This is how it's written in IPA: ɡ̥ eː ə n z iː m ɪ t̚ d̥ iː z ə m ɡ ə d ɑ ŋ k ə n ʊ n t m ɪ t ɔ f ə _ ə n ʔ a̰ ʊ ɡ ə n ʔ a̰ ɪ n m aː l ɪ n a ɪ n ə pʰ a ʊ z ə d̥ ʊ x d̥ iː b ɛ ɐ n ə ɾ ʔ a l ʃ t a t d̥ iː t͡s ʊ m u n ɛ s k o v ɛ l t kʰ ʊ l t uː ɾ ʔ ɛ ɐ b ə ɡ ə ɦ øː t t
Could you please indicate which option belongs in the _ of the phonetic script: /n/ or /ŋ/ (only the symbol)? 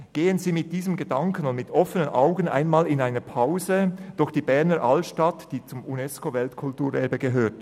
n